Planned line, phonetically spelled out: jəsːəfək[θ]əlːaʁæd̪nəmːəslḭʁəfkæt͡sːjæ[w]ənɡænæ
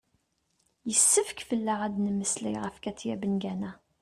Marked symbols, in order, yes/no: no, no

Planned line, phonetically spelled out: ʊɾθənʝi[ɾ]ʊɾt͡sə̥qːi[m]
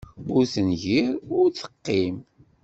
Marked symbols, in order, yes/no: yes, yes

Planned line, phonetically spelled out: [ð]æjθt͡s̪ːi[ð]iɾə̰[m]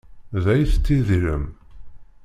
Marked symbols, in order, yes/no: yes, yes, yes

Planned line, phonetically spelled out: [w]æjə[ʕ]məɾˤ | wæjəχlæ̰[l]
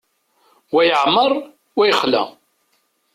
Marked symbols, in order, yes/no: yes, yes, no

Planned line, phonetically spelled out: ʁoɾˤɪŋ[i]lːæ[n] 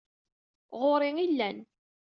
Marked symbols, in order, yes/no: yes, yes

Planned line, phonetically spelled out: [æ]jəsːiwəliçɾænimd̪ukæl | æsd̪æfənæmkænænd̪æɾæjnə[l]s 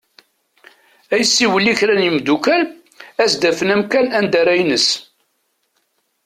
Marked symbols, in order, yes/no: yes, no

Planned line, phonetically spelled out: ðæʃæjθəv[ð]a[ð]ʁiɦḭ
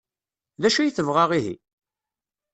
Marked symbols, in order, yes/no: no, no

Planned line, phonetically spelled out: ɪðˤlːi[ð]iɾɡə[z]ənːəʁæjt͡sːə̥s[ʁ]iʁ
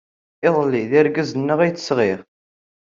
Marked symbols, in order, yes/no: yes, yes, yes

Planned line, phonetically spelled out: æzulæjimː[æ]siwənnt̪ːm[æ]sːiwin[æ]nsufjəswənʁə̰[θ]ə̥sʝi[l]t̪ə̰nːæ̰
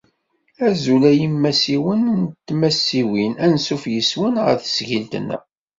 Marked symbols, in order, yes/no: yes, yes, yes, yes, yes

